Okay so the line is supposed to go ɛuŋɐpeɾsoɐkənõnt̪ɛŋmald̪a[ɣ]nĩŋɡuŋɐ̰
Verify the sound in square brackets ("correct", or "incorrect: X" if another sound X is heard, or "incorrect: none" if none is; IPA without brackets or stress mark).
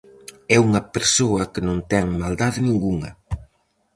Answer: incorrect: ð